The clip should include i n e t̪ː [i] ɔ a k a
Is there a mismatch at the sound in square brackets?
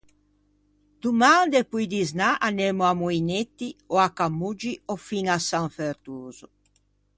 no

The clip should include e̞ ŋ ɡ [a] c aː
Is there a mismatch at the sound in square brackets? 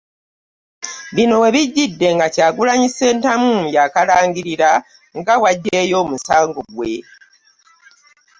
no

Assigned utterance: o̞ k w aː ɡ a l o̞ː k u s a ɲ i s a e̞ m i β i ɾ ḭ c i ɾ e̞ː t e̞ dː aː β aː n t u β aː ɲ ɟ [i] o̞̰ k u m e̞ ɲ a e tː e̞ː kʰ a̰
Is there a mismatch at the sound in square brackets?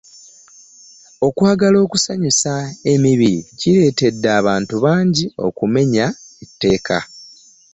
no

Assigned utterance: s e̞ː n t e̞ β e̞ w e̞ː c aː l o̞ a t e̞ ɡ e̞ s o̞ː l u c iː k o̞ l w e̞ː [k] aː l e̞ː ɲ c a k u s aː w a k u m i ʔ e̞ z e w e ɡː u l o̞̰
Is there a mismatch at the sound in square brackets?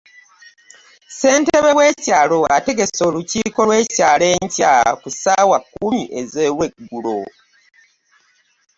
yes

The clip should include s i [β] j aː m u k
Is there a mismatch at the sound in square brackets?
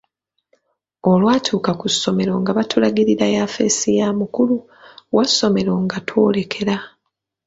yes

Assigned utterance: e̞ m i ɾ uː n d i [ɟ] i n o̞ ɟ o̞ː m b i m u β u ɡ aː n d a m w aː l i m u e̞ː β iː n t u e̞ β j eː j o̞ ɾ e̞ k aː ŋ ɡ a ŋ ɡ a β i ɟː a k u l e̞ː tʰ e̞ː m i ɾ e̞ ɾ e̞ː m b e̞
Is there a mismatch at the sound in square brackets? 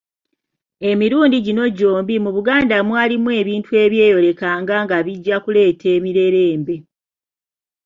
no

